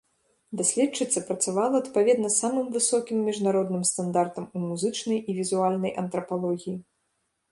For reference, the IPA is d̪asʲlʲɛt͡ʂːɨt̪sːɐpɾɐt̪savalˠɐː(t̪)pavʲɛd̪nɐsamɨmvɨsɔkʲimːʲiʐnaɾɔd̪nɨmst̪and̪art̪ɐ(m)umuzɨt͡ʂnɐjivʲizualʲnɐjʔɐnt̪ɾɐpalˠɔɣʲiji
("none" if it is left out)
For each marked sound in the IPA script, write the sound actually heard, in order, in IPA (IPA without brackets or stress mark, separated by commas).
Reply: t̪, m